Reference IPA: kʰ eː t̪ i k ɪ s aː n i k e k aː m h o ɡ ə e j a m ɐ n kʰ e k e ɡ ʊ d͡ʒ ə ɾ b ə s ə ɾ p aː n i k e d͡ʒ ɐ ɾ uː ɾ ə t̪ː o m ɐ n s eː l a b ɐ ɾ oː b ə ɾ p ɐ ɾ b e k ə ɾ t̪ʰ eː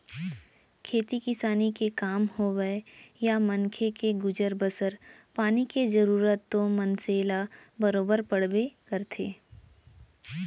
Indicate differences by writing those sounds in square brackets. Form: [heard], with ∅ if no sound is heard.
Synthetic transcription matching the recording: kʰ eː t̪ i k ɪ s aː n i k e k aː m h o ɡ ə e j a m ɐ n kʰ e k e ɡ ʊ d͡ʒ ə ɾ b ə s ə ɾ p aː n i k e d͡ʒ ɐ ɾ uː ɾ ə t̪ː o m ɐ n s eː l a b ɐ ɾ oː b ə ɾ p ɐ [ɽ] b e k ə ɾ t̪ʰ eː